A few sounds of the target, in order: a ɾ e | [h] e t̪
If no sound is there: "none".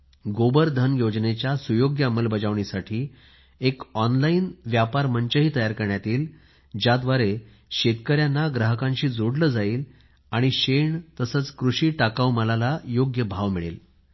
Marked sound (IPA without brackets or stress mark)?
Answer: ɕ